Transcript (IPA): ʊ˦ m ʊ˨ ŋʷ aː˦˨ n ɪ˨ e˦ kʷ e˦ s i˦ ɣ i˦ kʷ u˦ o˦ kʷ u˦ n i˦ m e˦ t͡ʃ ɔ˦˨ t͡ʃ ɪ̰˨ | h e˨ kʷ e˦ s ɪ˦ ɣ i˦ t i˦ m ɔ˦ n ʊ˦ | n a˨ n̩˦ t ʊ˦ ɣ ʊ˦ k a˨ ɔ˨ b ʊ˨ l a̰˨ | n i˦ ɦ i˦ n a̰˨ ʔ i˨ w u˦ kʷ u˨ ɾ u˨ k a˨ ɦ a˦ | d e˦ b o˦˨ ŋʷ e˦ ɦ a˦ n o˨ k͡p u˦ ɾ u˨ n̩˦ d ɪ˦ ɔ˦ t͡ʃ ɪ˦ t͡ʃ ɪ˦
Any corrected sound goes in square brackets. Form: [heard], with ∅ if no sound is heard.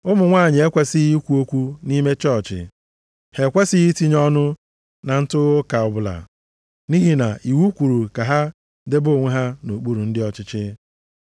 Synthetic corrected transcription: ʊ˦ m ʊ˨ ŋʷ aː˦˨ [ɲ] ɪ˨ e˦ kʷ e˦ s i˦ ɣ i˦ kʷ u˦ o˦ kʷ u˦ n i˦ m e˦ t͡ʃ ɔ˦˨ t͡ʃ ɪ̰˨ | h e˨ kʷ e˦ s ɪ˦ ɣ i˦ t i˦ [ɲ] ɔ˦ n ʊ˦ | n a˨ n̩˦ t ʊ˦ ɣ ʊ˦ k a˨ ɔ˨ b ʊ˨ l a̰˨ | n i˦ ɦ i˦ n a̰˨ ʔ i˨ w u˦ kʷ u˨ ɾ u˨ k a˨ ɦ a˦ | d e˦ b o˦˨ ŋʷ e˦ ɦ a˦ n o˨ k͡p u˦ ɾ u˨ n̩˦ d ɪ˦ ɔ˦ t͡ʃ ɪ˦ t͡ʃ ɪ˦